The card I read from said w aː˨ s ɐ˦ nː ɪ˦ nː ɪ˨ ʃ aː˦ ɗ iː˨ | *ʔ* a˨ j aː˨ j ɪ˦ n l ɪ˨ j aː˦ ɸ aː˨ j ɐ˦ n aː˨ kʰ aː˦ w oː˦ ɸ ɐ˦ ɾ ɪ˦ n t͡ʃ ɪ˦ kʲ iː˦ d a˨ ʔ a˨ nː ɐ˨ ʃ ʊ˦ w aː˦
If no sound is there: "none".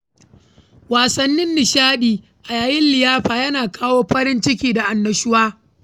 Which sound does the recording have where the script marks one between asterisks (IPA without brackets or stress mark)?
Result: ʔ